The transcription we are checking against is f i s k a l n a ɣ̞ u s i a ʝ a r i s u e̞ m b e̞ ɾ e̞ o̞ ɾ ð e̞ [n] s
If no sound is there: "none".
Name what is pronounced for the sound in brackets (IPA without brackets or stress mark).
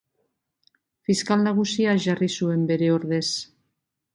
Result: none